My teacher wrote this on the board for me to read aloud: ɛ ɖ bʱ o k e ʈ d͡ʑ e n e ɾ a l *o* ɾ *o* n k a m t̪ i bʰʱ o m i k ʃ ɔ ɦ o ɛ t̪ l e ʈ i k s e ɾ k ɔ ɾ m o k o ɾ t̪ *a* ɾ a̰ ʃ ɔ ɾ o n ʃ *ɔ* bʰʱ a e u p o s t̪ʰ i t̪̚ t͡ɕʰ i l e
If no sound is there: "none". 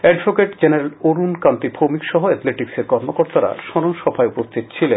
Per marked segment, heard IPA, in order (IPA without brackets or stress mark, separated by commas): o, u, a, ɔ